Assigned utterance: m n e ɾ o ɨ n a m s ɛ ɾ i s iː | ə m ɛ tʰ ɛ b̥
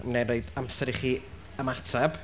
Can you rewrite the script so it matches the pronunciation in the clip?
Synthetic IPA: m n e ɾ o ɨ d a m s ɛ ɾ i χ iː | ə m a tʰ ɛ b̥